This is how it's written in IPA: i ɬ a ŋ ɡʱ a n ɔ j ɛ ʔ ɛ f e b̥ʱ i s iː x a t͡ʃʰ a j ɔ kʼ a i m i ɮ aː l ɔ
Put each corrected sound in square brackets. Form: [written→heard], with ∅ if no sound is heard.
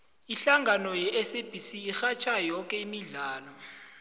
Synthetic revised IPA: i ɬ a ŋ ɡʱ a n ɔ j ɛ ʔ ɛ [f→s] e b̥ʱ i s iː x a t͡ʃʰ a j ɔ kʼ [a→ɛ] i m i ɮ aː l ɔ